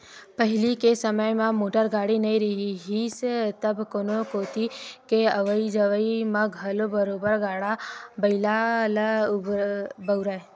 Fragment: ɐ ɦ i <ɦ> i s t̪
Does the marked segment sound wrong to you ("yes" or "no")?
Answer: no